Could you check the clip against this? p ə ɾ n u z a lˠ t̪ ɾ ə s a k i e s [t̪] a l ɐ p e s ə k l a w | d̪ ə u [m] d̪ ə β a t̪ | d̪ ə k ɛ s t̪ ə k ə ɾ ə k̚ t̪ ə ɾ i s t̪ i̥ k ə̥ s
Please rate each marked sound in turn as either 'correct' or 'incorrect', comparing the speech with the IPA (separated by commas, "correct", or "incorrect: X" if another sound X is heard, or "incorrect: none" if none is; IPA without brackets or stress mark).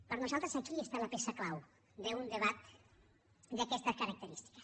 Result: correct, incorrect: n